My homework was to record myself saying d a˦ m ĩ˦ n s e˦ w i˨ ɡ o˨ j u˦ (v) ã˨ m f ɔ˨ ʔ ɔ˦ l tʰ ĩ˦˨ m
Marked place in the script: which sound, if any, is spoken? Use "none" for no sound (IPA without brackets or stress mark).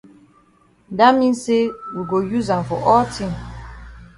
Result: z